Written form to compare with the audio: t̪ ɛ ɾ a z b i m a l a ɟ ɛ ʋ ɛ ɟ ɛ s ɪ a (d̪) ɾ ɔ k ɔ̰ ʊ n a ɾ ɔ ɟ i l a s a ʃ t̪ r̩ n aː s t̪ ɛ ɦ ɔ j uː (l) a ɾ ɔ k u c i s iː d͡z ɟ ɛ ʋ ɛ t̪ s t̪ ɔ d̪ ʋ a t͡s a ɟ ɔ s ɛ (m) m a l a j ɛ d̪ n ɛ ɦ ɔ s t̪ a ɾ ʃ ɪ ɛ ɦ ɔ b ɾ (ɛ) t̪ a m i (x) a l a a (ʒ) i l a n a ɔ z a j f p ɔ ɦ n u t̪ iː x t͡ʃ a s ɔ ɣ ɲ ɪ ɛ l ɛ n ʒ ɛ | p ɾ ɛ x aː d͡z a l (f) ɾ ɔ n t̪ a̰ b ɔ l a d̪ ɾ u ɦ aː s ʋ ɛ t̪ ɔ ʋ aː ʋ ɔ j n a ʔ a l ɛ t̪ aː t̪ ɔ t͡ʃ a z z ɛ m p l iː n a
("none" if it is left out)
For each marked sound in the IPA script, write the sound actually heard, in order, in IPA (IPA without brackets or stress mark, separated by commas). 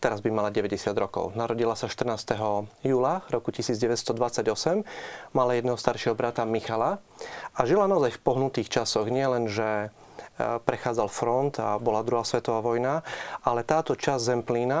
d̪, l, m, a, x, ʒ, f